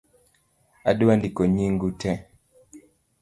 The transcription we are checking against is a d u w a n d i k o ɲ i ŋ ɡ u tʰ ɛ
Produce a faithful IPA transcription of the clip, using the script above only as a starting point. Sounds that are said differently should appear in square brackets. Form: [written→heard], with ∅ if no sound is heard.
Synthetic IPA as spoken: a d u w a n d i k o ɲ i ŋ ɡ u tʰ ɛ